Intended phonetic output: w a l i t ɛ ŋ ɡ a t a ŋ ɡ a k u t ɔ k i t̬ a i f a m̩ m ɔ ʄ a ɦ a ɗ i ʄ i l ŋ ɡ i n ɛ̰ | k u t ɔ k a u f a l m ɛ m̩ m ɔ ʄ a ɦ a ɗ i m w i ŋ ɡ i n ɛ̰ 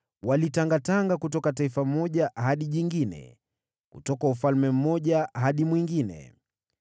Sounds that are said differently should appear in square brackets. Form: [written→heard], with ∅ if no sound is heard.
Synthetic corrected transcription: w a l i t [ɛ→a] ŋ ɡ a t a ŋ ɡ a k u t ɔ k [i→a] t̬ a i f a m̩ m ɔ ʄ a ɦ a ɗ i ʄ i [l→∅] ŋ ɡ i n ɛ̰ | k u t ɔ k a u f a l m ɛ m̩ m ɔ ʄ a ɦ a ɗ i m w i ŋ ɡ i n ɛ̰